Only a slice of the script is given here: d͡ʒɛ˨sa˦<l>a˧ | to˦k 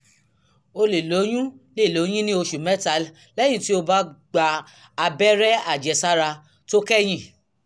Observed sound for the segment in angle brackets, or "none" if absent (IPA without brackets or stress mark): ɾ